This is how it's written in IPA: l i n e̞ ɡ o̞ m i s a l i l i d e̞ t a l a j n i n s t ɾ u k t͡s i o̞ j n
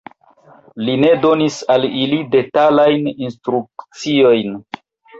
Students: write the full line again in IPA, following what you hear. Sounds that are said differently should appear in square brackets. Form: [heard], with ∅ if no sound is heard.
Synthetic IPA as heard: l i n e̞ [d] o̞ [n] i s a l i l i d e̞ t a l a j n i n s t ɾ u k t͡s i o̞ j n